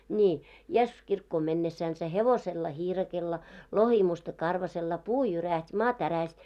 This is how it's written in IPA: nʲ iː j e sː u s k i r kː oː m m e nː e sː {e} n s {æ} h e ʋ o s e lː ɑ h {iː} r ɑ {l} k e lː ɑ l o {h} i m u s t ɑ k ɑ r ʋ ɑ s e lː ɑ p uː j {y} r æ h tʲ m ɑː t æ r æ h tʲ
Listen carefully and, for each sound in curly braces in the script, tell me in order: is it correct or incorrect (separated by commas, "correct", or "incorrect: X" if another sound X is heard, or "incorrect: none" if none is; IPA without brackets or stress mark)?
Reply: incorrect: æ, correct, correct, incorrect: none, correct, correct